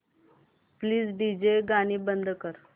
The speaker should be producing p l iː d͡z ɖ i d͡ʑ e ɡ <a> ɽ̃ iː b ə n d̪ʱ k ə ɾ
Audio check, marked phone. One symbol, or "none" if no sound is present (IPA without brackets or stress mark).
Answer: a